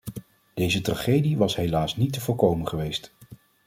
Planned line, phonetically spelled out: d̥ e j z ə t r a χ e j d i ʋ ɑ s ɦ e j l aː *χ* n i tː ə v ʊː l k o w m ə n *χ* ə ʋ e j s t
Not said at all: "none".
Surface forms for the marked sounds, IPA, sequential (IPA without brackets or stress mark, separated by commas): s, χ